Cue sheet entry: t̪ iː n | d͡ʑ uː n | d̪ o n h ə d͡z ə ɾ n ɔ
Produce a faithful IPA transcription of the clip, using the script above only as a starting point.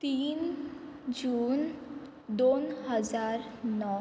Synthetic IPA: t̪ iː n | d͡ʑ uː n | d̪ o n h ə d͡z a ɾ n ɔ